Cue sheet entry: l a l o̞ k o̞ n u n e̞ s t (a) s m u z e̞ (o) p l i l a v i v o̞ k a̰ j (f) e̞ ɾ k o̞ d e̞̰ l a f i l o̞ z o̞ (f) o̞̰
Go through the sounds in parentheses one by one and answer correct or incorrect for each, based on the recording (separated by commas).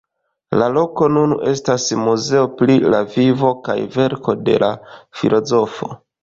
correct, correct, incorrect, correct